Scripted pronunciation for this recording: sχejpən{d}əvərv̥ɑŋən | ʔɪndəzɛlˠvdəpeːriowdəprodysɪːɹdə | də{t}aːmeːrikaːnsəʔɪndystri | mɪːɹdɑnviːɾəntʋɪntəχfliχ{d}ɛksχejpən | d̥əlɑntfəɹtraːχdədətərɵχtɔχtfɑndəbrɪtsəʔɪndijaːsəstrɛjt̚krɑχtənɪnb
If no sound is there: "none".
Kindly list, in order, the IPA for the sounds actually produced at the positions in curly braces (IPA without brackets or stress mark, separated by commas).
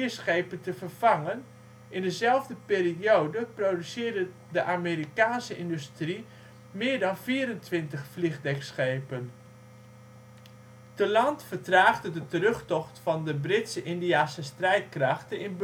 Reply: t, ʔ, d